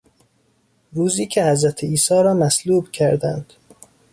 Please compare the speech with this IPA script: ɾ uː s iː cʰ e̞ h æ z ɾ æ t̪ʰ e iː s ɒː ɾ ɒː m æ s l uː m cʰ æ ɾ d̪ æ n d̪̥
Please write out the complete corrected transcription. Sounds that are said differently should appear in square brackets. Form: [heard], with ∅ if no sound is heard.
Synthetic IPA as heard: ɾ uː [z] iː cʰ e̞ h æ z ɾ æ t̪ʰ e iː s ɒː ɾ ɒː m æ s l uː [b] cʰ æ ɾ d̪ æ n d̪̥